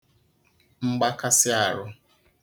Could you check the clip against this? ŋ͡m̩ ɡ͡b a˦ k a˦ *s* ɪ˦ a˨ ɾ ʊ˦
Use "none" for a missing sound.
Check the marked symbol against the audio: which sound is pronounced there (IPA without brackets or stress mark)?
s